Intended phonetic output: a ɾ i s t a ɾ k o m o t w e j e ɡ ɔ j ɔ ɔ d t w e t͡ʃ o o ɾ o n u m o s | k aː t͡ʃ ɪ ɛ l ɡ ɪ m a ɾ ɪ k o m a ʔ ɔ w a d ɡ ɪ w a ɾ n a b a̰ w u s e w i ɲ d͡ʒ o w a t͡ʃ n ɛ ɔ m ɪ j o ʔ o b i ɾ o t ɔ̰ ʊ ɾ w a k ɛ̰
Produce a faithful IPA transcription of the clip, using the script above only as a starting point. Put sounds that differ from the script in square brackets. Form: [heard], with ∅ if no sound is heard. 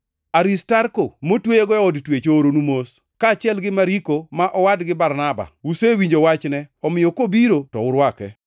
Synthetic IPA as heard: a ɾ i s t a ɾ k o m o t w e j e ɡ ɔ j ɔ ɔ d t w e t͡ʃ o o ɾ o n u m o s | k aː t͡ʃ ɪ ɛ l ɡ ɪ m a ɾ [i] k o m a ʔ ɔ w a d ɡ ɪ [b] a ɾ n a b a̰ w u s e w i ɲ d͡ʒ o w a t͡ʃ n ɛ ɔ m ɪ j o [k] o b i ɾ o t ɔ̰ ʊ ɾ w a k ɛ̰

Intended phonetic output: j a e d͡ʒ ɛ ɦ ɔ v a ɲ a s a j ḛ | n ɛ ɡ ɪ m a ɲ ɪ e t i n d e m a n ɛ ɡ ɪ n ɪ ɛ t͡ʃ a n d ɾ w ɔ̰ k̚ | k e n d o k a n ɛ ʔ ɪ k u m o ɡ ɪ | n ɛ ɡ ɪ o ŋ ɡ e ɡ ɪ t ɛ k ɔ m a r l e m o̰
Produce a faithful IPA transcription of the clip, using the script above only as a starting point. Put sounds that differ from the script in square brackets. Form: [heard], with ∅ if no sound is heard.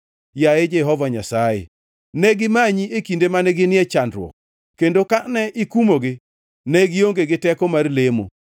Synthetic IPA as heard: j a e d͡ʒ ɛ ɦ ɔ v a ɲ a s a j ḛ | n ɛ ɡ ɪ m a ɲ [i] e [k] i n d e m a n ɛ ɡ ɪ n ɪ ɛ t͡ʃ a n d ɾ w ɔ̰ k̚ | k e n d o k a n ɛ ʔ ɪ k u m o ɡ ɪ | n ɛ ɡ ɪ o ŋ ɡ e ɡ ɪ t ɛ k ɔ m a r l e m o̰

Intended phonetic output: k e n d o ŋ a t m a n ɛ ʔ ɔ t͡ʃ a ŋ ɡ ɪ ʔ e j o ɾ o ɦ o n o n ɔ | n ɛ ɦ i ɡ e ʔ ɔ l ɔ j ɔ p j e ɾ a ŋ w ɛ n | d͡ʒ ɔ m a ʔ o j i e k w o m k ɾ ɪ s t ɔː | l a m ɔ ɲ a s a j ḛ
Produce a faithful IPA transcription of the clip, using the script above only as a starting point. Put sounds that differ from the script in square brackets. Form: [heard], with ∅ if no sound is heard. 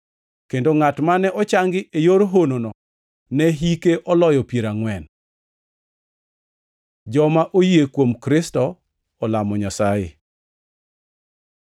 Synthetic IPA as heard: k e n d o ŋ a t m a n ɛ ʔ ɔ t͡ʃ a ŋ ɡ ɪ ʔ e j o ɾ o ɦ o n o n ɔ | n ɛ ɦ i [k] e ʔ ɔ l ɔ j ɔ p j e ɾ a ŋ w ɛ n | d͡ʒ ɔ m a ʔ o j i e k w o m k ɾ ɪ s t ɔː | l a m ɔ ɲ a s a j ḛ

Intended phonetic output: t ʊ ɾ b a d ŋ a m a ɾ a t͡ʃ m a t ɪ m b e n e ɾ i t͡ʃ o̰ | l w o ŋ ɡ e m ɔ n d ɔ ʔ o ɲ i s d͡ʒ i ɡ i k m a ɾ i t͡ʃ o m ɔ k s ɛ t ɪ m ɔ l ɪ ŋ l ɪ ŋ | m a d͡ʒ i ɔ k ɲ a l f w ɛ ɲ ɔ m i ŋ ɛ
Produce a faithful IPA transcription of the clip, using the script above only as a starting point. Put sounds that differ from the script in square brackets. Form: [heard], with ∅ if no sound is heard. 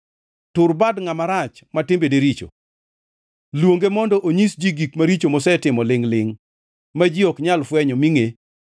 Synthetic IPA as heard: t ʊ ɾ b a d ŋ a m a ɾ a t͡ʃ m a t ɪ m b e [d] e ɾ i t͡ʃ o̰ | l w o ŋ ɡ e m ɔ n d ɔ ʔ o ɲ i s d͡ʒ i ɡ i k m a ɾ i t͡ʃ o m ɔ [∅] s ɛ t ɪ m ɔ l ɪ ŋ l ɪ ŋ | m a d͡ʒ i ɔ k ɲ a l f w ɛ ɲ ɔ m i ŋ [e]

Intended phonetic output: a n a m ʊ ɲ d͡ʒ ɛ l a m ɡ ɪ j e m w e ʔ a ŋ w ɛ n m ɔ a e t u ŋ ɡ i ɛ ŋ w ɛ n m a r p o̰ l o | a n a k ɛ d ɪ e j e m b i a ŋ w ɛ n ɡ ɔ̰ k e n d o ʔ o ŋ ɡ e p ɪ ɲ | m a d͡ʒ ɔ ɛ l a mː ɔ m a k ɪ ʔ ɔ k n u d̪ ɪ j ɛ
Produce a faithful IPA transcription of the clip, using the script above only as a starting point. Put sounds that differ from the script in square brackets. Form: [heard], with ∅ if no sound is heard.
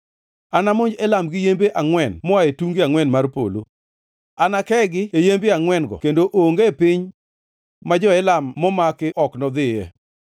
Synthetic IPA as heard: a n a m ʊ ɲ d͡ʒ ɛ l a m ɡ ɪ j e m [b] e ʔ a ŋ w ɛ n m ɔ a e t u ŋ ɡ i [a] ŋ w ɛ n m a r p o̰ l o | a n a k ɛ [ɡ] ɪ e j e m b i a ŋ w ɛ n ɡ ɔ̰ k e n d o ʔ o ŋ ɡ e p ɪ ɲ | m a d͡ʒ ɔ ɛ l a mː ɔ m a k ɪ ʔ ɔ k n [ɔ] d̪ ɪ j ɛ

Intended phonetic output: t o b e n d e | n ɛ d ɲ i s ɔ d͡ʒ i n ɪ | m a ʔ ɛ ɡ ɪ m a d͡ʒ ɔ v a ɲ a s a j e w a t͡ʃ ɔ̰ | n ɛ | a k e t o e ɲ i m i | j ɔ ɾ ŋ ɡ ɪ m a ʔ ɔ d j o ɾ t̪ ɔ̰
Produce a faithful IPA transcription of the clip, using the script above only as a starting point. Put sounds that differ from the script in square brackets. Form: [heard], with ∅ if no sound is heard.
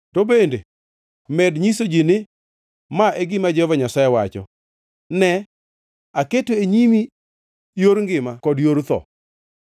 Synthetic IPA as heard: t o b e n d e | [m] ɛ d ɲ i s [o] d͡ʒ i n ɪ | m a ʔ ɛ ɡ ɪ m a d͡ʒ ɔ v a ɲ a s a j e w a t͡ʃ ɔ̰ | n ɛ | a k e t o e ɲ i m i | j [o] ɾ ŋ ɡ ɪ m a [k] ɔ d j o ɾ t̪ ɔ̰

